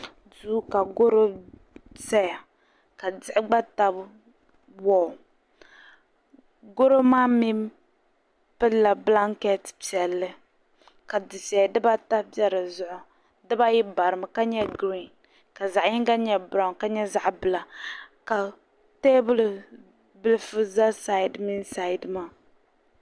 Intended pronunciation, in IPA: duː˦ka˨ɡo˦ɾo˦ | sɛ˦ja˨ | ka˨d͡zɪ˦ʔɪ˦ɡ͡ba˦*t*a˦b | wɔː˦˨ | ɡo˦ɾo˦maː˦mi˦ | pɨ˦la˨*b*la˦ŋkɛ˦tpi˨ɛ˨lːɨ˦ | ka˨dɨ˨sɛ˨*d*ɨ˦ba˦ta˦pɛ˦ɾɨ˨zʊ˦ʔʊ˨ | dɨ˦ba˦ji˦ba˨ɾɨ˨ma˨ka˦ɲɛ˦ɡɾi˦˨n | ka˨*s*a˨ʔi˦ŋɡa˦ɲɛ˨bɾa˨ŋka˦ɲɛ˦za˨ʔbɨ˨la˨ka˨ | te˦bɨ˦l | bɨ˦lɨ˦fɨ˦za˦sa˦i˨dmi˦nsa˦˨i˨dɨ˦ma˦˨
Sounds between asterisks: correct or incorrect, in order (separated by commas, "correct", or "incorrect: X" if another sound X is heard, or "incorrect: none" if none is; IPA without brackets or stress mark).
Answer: correct, correct, correct, incorrect: z